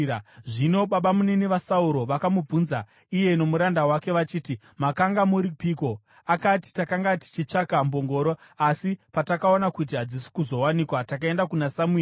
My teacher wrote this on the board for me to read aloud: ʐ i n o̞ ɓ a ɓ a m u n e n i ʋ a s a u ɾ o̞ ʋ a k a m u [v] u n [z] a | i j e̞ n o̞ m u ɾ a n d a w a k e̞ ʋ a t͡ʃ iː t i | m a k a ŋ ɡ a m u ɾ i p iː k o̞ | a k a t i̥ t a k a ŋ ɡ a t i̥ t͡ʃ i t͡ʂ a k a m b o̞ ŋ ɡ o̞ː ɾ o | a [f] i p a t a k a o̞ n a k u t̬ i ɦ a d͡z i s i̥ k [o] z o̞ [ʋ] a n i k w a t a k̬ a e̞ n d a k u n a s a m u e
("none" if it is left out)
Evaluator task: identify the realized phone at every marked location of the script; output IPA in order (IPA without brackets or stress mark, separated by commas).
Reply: b͡v, z, s, u, w